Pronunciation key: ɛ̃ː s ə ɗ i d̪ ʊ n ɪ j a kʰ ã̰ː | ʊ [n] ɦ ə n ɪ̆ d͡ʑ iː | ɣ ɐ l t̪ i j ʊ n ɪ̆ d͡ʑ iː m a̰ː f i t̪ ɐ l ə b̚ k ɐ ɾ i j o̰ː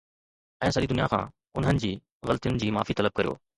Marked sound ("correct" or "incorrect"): correct